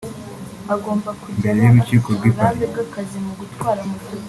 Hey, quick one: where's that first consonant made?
velum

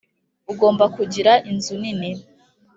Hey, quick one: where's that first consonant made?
velum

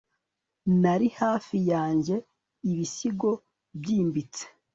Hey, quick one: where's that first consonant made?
tongue tip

